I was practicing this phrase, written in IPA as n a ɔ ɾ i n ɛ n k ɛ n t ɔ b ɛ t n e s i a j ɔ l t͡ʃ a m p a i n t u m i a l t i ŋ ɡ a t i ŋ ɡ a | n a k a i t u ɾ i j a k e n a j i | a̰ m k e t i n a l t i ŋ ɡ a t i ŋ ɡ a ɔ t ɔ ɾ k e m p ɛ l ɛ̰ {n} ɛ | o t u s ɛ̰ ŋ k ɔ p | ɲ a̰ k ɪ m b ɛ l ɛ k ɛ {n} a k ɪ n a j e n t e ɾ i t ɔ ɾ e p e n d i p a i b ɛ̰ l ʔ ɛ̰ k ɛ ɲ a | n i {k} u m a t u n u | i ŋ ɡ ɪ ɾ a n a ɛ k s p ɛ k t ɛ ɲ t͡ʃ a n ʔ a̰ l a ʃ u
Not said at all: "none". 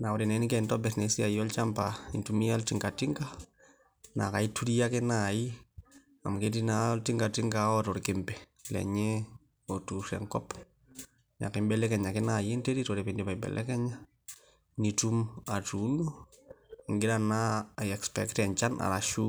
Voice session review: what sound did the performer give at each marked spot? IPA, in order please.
ɲ, ɲ, t

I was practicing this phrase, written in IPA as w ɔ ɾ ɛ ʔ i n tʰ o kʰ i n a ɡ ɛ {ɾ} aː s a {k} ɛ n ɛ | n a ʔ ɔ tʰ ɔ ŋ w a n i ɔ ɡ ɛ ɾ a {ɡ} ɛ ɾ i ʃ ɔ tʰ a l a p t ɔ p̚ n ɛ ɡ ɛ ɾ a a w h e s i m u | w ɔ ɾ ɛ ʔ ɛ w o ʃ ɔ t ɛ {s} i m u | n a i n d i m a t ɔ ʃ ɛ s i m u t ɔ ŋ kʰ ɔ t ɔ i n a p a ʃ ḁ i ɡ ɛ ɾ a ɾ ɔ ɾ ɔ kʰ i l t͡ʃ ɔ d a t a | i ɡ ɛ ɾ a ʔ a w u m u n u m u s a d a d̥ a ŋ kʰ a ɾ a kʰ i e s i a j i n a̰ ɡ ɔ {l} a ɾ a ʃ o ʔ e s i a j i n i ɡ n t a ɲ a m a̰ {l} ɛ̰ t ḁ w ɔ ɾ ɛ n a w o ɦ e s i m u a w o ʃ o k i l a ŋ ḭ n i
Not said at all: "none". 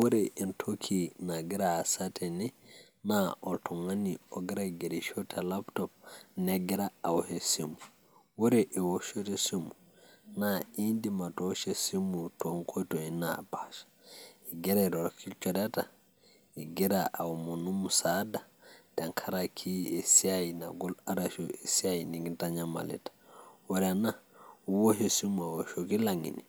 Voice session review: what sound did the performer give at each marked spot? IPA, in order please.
ɾ, t, ɡ, s, l, l

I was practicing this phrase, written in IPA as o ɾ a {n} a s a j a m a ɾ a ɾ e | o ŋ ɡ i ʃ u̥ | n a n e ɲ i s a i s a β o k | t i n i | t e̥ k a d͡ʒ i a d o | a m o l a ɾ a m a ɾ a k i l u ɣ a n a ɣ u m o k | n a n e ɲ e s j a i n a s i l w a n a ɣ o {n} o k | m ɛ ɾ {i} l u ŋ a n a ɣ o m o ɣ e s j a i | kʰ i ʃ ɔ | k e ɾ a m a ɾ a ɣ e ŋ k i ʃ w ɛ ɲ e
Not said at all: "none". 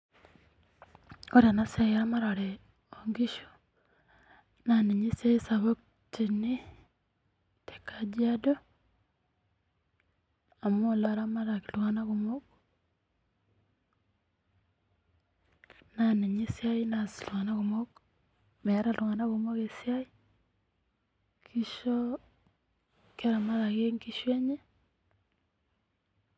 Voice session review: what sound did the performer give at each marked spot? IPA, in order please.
n, m, a

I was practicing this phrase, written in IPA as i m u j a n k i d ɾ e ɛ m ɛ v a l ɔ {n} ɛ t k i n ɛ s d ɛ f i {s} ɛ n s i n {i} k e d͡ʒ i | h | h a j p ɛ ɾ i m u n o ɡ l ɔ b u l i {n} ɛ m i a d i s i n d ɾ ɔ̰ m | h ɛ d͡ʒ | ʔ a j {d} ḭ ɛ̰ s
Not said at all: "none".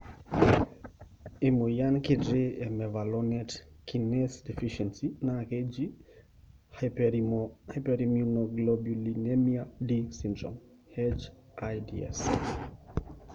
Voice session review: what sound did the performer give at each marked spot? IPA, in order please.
n, ʃ, a, n, d

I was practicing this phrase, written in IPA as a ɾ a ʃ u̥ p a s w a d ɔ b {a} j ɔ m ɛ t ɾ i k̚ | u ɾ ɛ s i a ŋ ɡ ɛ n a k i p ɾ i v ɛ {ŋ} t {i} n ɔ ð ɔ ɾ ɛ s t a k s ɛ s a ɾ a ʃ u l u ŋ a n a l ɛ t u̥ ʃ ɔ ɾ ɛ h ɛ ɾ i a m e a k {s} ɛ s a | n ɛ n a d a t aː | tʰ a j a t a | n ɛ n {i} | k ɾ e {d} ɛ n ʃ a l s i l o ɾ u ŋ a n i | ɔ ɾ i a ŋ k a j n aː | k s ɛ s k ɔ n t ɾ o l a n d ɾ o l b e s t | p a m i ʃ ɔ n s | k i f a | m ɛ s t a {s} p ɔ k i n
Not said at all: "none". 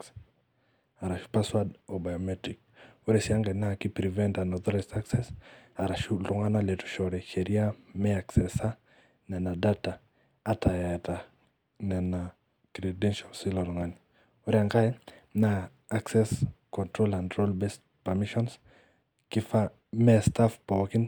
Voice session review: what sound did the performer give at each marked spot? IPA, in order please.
a, n, a, s, a, d, f

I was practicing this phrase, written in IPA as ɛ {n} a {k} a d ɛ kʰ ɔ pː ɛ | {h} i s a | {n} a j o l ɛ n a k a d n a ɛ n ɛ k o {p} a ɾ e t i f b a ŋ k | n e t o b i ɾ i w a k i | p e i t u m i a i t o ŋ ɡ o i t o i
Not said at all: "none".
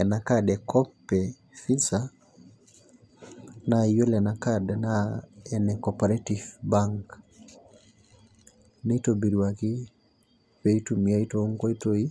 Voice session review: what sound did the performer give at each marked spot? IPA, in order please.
n, k, f, n, p

